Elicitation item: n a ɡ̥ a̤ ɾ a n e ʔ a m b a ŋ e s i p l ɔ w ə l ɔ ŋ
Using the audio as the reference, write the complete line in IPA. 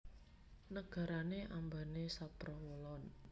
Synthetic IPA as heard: n ə ɡ̥ a̤ ɾ a n e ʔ a m b a n e s a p ɾ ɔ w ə l ɔ n